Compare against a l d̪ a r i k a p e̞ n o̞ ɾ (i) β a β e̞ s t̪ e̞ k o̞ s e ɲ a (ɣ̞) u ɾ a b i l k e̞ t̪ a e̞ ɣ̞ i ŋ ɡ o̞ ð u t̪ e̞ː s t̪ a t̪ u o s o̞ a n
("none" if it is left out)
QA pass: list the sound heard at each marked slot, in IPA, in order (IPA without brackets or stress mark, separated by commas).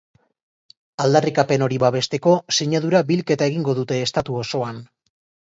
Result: i, ð̞